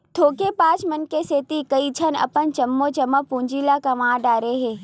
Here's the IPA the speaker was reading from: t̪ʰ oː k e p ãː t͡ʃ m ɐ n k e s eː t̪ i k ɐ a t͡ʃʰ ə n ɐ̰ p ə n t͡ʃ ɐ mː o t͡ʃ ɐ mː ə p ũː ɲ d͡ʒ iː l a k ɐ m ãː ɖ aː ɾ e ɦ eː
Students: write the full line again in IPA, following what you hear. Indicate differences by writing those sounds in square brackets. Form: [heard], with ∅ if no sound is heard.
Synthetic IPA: t̪ʰ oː k e p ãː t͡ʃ m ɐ n k e s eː t̪ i k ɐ [i] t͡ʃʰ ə n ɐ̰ p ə n t͡ʃ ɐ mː o t͡ʃ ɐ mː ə p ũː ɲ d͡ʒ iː l a k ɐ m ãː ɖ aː ɾ e ɦ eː